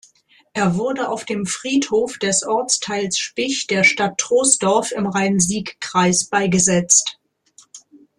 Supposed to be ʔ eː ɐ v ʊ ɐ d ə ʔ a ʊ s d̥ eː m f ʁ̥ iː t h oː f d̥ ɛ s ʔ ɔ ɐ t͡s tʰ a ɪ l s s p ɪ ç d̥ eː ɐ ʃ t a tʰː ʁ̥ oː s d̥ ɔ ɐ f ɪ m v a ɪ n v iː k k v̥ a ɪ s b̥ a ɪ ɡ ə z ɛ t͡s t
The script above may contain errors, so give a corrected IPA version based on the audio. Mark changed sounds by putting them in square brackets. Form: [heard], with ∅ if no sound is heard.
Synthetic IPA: ʔ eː ɐ v ʊ ɐ d ə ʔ a ʊ [f] d̥ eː m f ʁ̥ iː t h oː f d̥ ɛ s ʔ ɔ ɐ t͡s tʰ a ɪ l s [ʃ] p ɪ ç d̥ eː ɐ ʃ t a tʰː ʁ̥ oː s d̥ ɔ ɐ f ɪ m [ʁ] a ɪ n [z] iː k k [ʁ̥] a ɪ s b̥ a ɪ ɡ ə z ɛ t͡s t